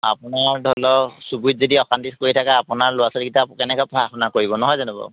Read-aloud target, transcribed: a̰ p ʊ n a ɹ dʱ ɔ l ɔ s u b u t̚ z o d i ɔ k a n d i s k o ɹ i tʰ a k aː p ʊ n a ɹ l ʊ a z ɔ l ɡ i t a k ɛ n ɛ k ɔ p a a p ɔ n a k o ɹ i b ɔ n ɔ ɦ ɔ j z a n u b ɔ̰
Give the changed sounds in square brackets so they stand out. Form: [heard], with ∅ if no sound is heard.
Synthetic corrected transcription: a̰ p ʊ n a ɹ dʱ ɔ l ɔ s u b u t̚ z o d i ɔ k a n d i s k o ɹ i tʰ a k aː p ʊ n a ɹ l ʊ a [s] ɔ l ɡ i t a k ɛ n ɛ k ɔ p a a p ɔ n a k o ɹ i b ɔ n ɔ ɦ ɔ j z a n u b ɔ̰

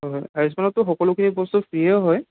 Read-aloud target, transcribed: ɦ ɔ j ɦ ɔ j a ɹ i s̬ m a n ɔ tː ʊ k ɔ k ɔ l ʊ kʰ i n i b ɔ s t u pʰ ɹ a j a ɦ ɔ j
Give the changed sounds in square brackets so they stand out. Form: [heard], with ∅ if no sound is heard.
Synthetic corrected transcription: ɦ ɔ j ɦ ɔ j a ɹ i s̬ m a n ɔ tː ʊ [x] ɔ k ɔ l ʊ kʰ i n i b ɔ s t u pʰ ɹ [i] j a ɦ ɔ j

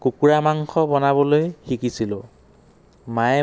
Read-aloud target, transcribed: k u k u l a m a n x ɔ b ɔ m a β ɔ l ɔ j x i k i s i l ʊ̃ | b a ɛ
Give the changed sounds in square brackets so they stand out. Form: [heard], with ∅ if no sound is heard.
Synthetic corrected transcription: k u k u [ɹ] a m a [ŋ] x ɔ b ɔ [n] a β ɔ l [o] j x i k i s i l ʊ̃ | [m] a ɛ

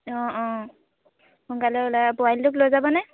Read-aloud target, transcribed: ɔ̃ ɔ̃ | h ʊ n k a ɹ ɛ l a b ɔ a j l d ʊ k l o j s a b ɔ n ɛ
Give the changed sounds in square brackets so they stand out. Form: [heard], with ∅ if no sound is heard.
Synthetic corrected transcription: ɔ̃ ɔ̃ | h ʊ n k a [l] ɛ l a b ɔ a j l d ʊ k l o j [z] a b ɔ n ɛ

